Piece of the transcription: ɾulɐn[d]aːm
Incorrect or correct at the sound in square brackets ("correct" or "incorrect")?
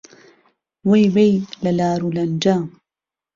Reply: incorrect